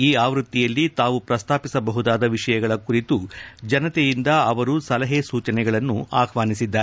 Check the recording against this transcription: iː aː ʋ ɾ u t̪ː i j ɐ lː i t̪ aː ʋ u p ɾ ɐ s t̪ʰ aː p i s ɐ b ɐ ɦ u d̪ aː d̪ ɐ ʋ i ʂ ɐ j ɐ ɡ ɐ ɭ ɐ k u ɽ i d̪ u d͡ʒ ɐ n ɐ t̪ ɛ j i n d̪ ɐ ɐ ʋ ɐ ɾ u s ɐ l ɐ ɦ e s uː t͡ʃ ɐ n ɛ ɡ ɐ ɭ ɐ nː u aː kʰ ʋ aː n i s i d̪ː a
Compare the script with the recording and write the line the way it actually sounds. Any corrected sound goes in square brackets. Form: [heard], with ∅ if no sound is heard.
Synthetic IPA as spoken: iː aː ʋ ɾ u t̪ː i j ɐ lː i t̪ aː ʋ u p ɾ ɐ s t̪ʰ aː p i s ɐ b ɐ ɦ u d̪ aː d̪ ɐ ʋ i ʂ ɐ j ɐ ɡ ɐ ɭ ɐ k u [ɾ] i [t̪] u d͡ʒ ɐ n ɐ t̪ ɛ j i n d̪ ɐ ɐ ʋ ɐ ɾ u s ɐ l ɐ ɦ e s uː t͡ʃ ɐ n ɛ ɡ ɐ ɭ ɐ nː u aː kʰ ʋ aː n i s i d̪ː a